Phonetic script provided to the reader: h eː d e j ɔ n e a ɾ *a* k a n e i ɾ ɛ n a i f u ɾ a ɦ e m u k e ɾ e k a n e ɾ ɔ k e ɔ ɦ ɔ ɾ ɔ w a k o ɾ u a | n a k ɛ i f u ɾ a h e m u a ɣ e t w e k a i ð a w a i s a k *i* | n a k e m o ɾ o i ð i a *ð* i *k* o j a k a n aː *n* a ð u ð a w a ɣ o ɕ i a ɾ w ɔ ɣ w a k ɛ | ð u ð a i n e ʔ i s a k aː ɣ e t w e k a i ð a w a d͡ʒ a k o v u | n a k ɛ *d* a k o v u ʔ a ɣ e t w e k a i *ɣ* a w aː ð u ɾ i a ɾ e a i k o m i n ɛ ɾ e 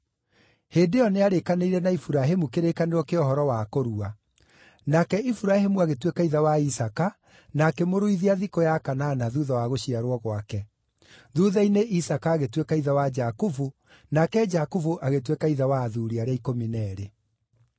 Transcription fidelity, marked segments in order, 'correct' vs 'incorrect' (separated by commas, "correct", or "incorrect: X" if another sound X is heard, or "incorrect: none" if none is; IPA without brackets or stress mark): incorrect: e, incorrect: a, correct, correct, correct, incorrect: d͡ʒ, incorrect: ð